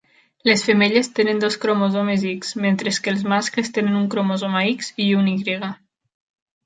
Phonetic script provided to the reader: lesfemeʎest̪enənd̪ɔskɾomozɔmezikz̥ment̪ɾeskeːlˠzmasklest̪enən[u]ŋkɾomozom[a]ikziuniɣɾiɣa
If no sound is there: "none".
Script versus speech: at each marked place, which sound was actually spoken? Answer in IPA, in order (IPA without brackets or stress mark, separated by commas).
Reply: u, a